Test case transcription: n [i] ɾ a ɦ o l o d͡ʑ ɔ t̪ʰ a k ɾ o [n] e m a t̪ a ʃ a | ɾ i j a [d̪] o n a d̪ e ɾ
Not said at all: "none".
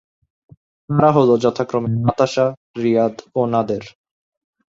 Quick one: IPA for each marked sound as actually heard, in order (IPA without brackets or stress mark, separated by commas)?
a, m, d̪